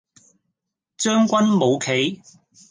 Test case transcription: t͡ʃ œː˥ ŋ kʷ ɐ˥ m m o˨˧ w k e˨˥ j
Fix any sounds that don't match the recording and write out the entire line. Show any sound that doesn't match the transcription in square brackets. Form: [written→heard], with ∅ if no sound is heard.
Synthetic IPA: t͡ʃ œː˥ ŋ kʷ ɐ˥ [m→n] m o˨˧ w [k→kʰ] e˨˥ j